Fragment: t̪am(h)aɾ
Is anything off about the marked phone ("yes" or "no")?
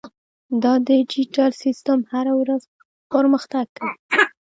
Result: no